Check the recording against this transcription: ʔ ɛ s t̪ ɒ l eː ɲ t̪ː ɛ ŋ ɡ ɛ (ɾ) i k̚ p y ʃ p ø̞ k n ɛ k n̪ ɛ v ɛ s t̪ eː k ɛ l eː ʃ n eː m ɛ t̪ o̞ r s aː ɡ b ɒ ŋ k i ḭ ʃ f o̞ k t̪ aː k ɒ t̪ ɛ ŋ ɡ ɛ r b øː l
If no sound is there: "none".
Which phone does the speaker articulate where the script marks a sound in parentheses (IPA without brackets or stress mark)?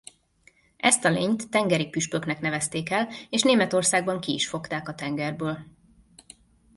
ɾ